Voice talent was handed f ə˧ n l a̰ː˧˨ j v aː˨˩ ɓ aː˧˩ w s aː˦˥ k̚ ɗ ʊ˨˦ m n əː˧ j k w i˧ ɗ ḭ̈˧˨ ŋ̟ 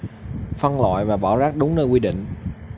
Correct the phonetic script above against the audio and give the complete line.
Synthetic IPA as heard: f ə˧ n l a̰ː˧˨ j v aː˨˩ ɓ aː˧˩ w z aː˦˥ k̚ ɗ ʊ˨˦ ŋ͡m n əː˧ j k w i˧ ɗ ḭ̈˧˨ ŋ̟